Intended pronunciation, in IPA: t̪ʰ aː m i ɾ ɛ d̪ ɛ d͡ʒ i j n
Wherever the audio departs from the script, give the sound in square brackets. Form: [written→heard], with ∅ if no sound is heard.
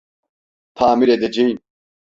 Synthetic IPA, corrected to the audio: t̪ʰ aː m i ɾ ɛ d̪ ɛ d͡ʒ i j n